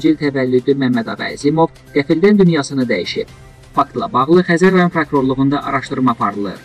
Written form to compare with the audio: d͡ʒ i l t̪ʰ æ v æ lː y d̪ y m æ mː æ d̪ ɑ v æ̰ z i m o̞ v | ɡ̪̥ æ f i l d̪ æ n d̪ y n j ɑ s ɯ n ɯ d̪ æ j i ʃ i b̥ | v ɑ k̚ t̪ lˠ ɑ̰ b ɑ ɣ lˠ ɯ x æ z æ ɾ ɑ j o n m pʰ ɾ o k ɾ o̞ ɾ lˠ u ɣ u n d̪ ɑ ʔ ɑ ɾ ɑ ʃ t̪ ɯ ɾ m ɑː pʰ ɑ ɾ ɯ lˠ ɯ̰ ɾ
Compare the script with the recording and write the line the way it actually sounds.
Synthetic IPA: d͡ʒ i l t̪ʰ æ v æ lː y d̪ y m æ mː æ d̪ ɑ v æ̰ z i m o̞ v | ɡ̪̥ æ f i l d̪ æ n d̪ y n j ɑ s ɯ n ɯ d̪ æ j i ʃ i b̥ | f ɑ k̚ t̪ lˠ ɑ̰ b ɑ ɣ lˠ ɯ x æ z æ ɾ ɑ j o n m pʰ ɾ o k ɾ o̞ ɾ lˠ u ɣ u n d̪ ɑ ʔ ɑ ɾ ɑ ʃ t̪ ɯ ɾ m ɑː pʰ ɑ ɾ ɯ lˠ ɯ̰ ɾ